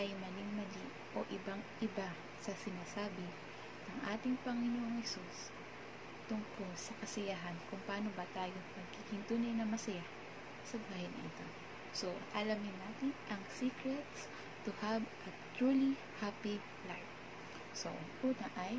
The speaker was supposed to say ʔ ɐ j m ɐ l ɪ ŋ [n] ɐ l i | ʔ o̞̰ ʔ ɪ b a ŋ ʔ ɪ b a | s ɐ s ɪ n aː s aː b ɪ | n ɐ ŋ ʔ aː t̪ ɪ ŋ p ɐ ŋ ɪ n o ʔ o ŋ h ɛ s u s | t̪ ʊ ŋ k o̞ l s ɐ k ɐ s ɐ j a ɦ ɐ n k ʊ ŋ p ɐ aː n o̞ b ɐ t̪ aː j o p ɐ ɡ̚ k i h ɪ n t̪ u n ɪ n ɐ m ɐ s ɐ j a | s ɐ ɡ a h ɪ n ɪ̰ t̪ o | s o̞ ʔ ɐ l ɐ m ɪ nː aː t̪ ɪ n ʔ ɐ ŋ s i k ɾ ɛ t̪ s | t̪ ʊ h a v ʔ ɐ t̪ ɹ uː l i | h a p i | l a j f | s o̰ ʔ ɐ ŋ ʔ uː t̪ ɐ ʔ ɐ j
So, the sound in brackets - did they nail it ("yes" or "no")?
no